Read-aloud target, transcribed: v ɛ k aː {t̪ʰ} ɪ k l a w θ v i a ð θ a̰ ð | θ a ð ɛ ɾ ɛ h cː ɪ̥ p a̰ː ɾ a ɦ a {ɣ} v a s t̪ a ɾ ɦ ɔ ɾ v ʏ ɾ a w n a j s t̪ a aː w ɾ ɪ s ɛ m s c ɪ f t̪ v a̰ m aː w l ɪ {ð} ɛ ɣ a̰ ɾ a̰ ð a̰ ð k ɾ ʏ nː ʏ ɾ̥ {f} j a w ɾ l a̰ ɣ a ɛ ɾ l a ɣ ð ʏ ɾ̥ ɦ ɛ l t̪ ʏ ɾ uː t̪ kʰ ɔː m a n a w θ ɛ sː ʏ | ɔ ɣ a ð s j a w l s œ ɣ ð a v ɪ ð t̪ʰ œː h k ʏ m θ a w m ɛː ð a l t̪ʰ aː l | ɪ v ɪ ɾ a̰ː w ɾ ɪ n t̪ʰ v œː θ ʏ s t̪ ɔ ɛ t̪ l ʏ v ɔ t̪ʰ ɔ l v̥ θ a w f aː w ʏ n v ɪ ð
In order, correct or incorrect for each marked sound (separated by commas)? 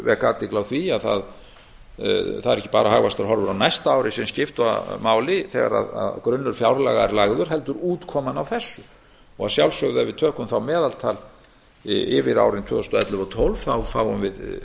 incorrect, correct, incorrect, correct